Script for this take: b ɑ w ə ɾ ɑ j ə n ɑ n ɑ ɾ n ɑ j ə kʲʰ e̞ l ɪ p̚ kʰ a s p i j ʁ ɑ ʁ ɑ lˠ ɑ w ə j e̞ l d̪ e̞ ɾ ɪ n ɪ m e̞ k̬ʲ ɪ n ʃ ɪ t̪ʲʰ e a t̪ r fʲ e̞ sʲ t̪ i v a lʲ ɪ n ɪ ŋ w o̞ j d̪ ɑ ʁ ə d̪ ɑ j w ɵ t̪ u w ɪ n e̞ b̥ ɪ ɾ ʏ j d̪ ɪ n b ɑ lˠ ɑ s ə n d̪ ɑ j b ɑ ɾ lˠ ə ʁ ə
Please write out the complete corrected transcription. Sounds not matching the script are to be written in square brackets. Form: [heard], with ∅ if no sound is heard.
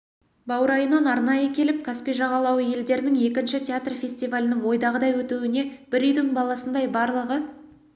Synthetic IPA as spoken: b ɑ w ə ɾ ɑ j ə n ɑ n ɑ ɾ n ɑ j ə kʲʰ e̞ l ɪ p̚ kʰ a s p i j [ʒ] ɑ ʁ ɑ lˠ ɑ w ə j e̞ l d̪ e̞ ɾ ɪ n ɪ [ŋ] e̞ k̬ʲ ɪ n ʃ ɪ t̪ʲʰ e a t̪ r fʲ e̞ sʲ t̪ i v a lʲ ɪ n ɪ ŋ w o̞ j d̪ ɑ ʁ ə d̪ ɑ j w ɵ t̪ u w ɪ n e̞ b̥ ɪ ɾ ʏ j d̪ ɪ [ŋ] b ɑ lˠ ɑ s ə n d̪ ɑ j b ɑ ɾ lˠ ə ʁ ə

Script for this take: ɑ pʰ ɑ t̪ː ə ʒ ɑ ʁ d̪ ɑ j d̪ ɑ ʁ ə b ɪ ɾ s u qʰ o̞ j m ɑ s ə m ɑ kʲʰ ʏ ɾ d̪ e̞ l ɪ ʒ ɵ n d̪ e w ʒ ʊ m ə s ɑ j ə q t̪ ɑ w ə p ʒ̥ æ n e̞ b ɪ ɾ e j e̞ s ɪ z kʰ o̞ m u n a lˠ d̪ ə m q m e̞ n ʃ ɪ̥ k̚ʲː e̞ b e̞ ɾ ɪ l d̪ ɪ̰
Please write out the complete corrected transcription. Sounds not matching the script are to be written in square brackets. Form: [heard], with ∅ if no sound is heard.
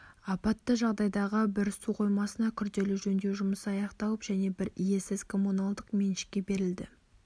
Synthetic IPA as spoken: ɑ [p] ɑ t̪ː ə ʒ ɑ ʁ d̪ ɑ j d̪ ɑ ʁ ə b ɪ ɾ s u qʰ o̞ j m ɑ s ə [n] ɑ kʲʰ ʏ ɾ d̪ e̞ l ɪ ʒ ɵ n d̪ e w ʒ ʊ m ə s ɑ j [ɑ] q t̪ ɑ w ə p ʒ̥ æ n e̞ b ɪ ɾ [i] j e̞ s ɪ z kʰ o̞ m u n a lˠ d̪ ə [∅] q m e̞ n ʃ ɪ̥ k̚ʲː e̞ b e̞ ɾ ɪ l d̪ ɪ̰

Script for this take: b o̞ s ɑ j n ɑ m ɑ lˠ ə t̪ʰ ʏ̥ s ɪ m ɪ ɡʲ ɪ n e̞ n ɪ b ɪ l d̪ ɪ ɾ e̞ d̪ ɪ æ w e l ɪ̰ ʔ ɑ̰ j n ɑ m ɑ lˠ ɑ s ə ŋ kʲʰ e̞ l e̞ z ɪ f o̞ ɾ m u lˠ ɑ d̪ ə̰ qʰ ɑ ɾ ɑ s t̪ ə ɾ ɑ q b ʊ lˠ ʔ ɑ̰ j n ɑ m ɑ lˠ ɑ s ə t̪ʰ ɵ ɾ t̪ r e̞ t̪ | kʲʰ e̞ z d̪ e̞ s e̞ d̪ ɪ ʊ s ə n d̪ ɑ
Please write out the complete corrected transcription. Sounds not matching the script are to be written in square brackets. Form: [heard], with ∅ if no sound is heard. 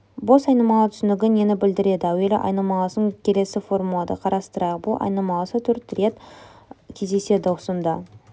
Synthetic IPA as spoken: b o̞ s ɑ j n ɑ m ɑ lˠ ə t̪ʰ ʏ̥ s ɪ [n] ɪ ɡʲ ɪ n e̞ n ɪ b ɪ l d̪ ɪ ɾ e̞ d̪ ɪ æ w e l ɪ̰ ʔ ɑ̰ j n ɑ m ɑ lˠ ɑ s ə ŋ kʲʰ e̞ l e̞ [s] ɪ f o̞ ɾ m u lˠ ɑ d̪ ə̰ qʰ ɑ ɾ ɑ s t̪ ə ɾ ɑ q b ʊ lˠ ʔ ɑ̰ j n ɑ m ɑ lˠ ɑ s ə t̪ʰ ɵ ɾ t̪ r e̞ t̪ | kʲʰ e̞ z d̪ e̞ s e̞ d̪ ɪ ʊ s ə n d̪ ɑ

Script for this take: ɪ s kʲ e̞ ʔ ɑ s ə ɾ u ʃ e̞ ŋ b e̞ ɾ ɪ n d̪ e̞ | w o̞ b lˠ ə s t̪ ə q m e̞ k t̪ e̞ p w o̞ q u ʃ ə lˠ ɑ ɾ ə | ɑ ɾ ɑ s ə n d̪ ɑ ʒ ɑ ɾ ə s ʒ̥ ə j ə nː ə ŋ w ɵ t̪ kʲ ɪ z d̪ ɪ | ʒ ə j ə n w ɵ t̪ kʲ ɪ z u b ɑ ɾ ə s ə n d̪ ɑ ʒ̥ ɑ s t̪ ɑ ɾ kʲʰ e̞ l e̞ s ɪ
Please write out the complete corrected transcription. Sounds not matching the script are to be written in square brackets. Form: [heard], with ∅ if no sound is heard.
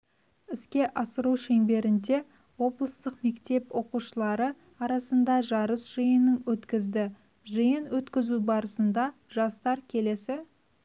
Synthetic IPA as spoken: ɪ s kʲ e̞ ʔ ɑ s ə ɾ u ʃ e̞ ŋ b e̞ ɾ ɪ n d̪ e̞ | w o̞ b lˠ ə s t̪ ə q m e̞ k t̪ e̞ p w o̞ q u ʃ ə lˠ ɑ ɾ ə | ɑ ɾ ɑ s ə n d̪ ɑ ʒ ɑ ɾ ə s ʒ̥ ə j ə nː ə ŋ w ɵ t̪ kʲ ɪ z d̪ ɪ | ʒ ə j ə n w ɵ t̪ kʲ ɪ z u b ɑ ɾ ə s ə n d̪ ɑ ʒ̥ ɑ s t̪ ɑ ɾ kʲʰ e̞ l e̞ s ɪ

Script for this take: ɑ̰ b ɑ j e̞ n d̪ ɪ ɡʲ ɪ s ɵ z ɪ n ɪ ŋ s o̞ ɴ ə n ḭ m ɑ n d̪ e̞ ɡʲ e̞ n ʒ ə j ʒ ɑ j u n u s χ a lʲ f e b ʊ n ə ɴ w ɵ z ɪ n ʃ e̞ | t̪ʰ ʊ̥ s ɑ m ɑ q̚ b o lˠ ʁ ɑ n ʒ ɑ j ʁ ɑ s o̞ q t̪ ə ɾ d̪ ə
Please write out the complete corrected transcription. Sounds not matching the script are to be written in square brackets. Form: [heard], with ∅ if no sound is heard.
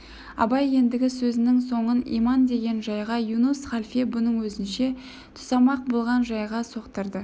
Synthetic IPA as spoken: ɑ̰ b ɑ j e̞ n d̪ ɪ ɡʲ ɪ s ɵ z ɪ n ɪ ŋ s o̞ ɴ ə n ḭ m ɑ n d̪ e̞ ɡʲ e̞ n ʒ [ɑ] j [ʁ] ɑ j u n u s χ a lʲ f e b ʊ n ə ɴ w ɵ z ɪ n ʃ e̞ | t̪ʰ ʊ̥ s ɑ m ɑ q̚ b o lˠ ʁ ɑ n ʒ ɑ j ʁ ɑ s o̞ q t̪ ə ɾ d̪ ə

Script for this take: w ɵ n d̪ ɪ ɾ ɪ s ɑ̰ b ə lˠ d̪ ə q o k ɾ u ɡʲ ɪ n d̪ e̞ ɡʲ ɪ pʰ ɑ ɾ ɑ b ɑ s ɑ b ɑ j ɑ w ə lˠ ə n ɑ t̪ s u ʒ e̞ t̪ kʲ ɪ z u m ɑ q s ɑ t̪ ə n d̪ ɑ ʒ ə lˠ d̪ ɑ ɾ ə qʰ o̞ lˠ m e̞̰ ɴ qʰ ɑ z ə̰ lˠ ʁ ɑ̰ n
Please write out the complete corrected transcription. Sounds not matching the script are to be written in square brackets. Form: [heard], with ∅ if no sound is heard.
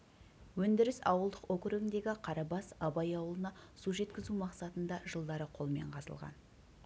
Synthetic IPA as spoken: w ɵ n d̪ ɪ ɾ ɪ s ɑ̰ [w] ə lˠ d̪ ə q o k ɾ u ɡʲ ɪ n d̪ e̞ ɡʲ ɪ [qʰ] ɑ ɾ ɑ b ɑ s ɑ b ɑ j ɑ w ə lˠ ə n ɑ [∅] s u ʒ e̞ t̪ kʲ ɪ z u m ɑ q s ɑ t̪ ə n d̪ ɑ ʒ ə lˠ d̪ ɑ ɾ ə qʰ o̞ lˠ m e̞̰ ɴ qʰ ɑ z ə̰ lˠ ʁ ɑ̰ n

